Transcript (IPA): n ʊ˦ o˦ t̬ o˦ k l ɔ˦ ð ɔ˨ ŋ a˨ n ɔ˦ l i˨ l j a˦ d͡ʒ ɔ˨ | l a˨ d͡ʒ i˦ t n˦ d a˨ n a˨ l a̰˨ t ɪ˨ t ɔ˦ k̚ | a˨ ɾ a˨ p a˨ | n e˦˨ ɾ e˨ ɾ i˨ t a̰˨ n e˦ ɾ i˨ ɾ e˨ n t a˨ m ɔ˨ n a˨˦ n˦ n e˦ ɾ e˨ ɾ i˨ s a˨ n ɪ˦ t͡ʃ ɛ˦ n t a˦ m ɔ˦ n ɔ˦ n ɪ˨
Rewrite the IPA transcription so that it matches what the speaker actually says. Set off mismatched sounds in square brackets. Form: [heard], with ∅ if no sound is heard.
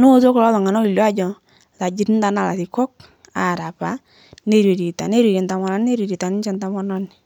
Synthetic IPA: n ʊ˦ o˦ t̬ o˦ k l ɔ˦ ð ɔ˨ ŋ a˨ n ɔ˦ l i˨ l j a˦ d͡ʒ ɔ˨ | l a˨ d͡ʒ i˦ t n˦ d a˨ n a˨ l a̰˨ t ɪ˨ [k] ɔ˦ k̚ | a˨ ɾ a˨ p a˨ | n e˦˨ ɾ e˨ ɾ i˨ t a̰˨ n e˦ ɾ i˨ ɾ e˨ n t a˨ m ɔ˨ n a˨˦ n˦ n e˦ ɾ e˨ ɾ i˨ [t] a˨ n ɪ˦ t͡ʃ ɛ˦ n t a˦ m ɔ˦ n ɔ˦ n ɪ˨

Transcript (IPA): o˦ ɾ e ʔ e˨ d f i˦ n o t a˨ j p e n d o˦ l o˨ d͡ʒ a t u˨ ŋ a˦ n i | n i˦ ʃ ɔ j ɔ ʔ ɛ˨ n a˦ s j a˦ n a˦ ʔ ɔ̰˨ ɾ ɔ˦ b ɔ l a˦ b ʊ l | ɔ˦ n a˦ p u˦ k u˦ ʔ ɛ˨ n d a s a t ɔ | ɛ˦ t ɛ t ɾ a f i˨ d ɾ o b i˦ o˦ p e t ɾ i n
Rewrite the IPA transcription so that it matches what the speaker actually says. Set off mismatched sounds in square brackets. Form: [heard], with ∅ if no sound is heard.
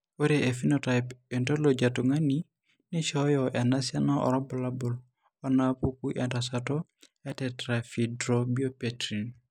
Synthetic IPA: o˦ ɾ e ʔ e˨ [∅] f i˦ n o t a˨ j p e n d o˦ l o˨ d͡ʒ a t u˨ ŋ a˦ n i | n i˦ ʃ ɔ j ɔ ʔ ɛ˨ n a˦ s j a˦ n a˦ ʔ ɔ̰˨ ɾ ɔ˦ b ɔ l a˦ b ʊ l | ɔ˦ n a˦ p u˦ k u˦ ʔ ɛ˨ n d a s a t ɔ | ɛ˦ t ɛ t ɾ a f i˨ d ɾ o b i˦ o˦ p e t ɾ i n

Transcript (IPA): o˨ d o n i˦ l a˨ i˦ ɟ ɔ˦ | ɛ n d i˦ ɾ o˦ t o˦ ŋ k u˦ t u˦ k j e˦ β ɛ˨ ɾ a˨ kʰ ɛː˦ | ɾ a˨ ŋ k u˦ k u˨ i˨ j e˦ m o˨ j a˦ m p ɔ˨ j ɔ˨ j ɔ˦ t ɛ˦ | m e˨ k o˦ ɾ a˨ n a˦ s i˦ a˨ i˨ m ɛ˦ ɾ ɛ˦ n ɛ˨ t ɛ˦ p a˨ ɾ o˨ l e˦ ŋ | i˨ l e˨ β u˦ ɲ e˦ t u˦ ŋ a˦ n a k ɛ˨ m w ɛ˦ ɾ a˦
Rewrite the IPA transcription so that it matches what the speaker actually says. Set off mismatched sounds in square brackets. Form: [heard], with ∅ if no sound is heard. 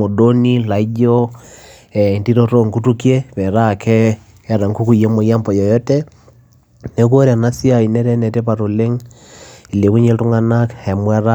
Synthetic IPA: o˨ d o n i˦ l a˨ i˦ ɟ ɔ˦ | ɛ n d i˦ ɾ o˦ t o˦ ŋ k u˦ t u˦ k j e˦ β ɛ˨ ɾ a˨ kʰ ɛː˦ | ɾ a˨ ŋ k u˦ k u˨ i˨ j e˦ m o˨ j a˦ m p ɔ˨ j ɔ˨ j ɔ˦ t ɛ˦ | [n] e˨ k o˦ ɾ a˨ n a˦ s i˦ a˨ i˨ [n] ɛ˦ ɾ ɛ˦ n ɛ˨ t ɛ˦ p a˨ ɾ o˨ l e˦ ŋ | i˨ l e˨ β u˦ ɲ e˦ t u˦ ŋ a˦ n a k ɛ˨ m w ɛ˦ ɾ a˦

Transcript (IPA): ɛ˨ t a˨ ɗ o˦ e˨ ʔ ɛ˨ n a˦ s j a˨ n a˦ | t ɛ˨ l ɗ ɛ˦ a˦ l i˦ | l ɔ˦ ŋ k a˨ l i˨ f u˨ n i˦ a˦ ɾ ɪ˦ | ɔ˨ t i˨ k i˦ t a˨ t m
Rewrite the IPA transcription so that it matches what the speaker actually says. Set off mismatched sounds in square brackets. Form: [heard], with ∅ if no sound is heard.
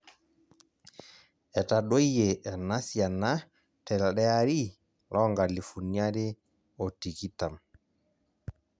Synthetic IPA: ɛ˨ t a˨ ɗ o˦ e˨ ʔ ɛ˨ n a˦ s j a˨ n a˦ | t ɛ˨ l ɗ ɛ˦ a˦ [ɾ] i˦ | l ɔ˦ ŋ [ɡ] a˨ l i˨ f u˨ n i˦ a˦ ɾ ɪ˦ | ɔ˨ t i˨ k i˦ t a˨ [∅] m

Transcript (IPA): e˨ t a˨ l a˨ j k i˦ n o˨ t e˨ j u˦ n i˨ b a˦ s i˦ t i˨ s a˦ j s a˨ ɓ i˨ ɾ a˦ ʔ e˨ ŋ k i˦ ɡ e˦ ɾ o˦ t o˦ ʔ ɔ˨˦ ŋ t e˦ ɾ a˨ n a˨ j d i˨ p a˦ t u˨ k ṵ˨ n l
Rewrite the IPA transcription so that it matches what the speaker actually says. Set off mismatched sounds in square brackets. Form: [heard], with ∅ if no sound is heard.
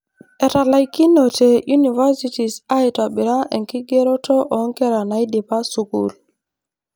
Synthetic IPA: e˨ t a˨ l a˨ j k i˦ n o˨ t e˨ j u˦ n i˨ [v] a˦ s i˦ t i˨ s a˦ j [t] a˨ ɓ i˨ ɾ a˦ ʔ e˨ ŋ k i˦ ɡ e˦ ɾ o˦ t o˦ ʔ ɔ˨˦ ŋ [k] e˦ ɾ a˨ n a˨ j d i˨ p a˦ [s] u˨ k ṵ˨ [∅] l

